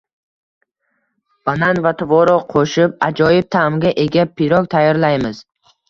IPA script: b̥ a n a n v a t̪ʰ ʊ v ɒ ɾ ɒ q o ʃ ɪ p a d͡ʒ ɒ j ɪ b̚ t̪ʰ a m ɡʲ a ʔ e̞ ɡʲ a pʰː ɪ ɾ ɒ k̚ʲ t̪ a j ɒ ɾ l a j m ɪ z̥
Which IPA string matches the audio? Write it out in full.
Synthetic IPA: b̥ a n a n v a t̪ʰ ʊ v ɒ ɾ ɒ qʰ o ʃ ɪ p a d͡ʒ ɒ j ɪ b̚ t̪ʰ a m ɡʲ a ʔ e̞ ɡʲ a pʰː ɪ ɾ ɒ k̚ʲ t̪ʰ a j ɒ ɾ l a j m ɪ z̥